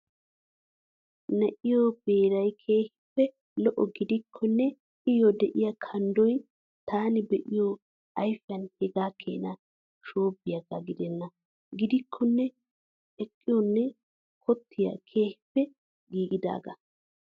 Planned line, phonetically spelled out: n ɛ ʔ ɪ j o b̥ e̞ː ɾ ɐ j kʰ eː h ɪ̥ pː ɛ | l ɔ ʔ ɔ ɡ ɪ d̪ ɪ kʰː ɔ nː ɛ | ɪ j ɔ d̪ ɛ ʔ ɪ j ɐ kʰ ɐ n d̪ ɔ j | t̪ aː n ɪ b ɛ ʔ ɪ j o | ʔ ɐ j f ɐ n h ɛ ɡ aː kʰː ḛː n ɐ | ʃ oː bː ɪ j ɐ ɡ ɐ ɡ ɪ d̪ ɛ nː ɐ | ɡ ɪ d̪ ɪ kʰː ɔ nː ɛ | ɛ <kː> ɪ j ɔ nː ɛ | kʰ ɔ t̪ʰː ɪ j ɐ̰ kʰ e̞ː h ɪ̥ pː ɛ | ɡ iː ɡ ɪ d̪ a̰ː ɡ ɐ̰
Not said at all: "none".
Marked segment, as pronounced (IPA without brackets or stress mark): kʼː